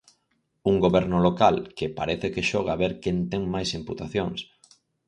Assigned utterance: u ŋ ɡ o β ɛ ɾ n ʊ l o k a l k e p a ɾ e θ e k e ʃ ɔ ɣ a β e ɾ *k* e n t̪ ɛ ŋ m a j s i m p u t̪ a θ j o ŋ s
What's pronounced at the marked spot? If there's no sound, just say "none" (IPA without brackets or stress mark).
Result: k